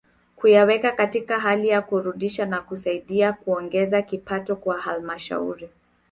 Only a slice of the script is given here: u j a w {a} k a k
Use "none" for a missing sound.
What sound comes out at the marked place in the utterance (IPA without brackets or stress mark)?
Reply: ɛ